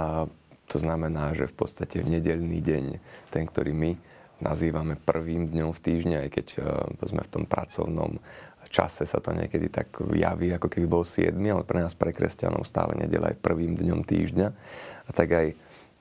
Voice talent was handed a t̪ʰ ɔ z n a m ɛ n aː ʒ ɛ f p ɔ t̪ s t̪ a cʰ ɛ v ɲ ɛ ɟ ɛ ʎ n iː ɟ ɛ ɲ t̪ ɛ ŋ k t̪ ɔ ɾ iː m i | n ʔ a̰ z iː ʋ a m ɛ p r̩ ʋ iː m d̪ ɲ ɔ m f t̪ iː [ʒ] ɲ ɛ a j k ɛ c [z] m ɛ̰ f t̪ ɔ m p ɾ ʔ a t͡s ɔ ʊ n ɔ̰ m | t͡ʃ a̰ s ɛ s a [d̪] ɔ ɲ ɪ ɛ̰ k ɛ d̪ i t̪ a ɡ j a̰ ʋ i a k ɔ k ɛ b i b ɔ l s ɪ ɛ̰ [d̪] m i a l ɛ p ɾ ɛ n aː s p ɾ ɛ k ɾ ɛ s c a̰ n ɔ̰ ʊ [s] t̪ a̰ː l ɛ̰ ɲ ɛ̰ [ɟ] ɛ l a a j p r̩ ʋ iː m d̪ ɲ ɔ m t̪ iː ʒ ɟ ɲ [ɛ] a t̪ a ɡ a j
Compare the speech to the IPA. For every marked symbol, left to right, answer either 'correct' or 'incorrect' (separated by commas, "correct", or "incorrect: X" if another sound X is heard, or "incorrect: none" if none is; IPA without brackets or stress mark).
correct, correct, incorrect: t̪, correct, correct, correct, incorrect: a